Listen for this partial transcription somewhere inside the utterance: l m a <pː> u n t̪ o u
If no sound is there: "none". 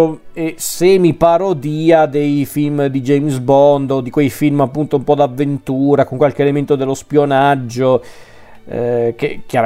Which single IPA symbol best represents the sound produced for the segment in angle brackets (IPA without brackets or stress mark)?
pː